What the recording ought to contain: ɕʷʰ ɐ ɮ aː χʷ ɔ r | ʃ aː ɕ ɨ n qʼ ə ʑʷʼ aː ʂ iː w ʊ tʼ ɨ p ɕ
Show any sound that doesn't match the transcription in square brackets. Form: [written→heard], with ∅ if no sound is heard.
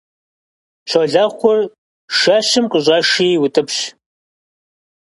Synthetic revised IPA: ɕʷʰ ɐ ɮ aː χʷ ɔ r | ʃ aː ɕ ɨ [n→m] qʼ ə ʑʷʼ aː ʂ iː w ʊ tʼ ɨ p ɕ